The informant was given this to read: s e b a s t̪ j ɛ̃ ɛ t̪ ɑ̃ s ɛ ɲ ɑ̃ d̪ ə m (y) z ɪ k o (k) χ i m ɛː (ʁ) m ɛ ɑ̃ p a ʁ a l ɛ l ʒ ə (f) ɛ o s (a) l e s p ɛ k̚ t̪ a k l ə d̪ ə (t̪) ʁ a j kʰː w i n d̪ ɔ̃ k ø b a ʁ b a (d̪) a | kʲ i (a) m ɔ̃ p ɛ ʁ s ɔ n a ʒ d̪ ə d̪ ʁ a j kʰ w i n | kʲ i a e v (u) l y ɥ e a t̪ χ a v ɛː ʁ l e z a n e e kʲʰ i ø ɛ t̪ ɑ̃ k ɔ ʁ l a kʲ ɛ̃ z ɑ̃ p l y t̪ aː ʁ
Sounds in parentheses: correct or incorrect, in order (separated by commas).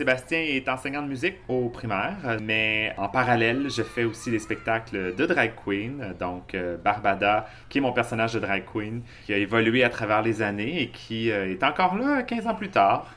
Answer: correct, incorrect, correct, correct, incorrect, incorrect, correct, incorrect, incorrect